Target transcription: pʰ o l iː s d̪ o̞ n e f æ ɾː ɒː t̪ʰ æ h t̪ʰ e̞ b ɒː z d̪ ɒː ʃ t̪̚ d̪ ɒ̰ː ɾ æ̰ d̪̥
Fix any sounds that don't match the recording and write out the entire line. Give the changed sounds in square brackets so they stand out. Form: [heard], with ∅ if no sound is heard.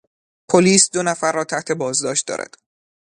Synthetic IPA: pʰ o l iː s d̪ o̞ n [æ] f æ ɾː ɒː t̪ʰ æ h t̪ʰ e̞ b ɒː z d̪ ɒː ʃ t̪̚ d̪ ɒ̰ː ɾ æ̰ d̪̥